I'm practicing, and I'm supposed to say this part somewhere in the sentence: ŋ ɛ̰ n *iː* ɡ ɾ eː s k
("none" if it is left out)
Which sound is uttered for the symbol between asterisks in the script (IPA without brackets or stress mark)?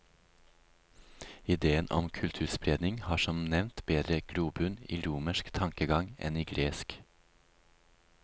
iː